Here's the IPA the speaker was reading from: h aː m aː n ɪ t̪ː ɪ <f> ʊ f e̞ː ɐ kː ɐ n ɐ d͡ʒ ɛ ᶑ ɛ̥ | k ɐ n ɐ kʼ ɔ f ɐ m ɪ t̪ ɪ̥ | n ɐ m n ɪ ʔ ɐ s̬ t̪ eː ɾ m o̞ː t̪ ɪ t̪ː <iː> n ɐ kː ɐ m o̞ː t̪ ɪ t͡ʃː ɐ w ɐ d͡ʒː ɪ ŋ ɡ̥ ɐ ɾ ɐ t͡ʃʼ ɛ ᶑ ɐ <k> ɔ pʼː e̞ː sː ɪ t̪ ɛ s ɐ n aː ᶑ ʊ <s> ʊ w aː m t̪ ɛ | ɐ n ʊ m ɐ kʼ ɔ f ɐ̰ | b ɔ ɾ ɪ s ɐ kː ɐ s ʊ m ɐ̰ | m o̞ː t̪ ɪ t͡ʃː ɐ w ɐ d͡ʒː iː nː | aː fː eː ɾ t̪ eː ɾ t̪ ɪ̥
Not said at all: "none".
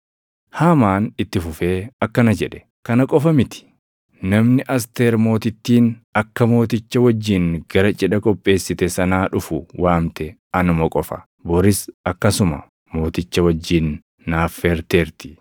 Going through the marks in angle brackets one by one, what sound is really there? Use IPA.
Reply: f, iː, kʼ, f

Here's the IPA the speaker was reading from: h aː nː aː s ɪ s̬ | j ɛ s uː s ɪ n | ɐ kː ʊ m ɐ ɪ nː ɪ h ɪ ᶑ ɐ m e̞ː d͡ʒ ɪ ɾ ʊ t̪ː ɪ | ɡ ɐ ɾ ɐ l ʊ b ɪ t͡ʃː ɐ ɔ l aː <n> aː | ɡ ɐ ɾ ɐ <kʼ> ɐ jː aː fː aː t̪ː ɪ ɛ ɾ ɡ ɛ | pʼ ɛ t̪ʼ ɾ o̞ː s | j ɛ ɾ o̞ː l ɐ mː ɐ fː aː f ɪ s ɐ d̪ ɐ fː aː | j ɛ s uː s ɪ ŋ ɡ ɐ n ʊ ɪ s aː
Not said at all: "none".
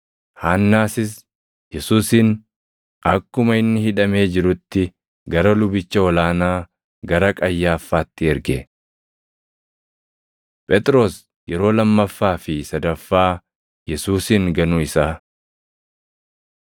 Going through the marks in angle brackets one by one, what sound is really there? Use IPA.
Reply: n, kʼ

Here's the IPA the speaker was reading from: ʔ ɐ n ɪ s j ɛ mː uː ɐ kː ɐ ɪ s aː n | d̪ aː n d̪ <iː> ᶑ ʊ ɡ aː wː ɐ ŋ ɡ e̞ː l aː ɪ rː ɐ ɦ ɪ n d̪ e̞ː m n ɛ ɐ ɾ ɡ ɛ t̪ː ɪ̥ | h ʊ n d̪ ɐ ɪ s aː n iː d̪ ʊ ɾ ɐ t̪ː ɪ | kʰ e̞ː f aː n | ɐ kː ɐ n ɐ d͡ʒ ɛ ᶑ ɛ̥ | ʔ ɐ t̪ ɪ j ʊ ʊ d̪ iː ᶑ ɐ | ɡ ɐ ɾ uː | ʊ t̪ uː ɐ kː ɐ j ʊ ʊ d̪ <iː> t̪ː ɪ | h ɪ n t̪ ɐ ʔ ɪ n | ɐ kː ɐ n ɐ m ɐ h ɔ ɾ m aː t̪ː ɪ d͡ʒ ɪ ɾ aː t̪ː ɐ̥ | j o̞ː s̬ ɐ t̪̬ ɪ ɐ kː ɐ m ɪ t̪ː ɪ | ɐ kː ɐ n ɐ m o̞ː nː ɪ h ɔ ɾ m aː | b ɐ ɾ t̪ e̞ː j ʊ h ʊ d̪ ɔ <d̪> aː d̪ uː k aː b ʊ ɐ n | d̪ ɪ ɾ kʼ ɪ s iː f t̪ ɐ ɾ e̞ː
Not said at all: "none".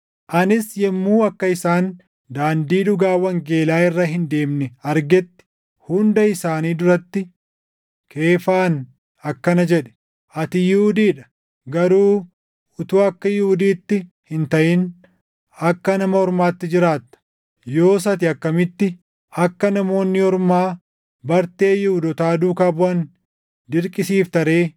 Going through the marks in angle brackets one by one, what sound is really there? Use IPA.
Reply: iː, iː, t̪

